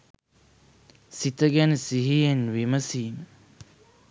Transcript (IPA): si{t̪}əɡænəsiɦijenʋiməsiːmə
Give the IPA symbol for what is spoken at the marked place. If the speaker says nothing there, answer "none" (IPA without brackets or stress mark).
t̪